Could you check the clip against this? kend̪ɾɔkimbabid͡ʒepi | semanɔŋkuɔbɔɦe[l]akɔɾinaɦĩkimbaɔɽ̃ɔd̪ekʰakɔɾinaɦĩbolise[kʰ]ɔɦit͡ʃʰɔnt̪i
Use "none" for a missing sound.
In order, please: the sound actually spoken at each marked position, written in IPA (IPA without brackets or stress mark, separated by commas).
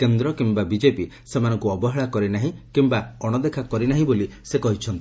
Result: ɭ, k